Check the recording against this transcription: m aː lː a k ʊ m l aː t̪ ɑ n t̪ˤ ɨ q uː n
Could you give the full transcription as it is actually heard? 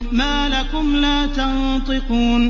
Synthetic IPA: m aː l a k ʊ m l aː t̪ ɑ n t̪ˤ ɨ q uː n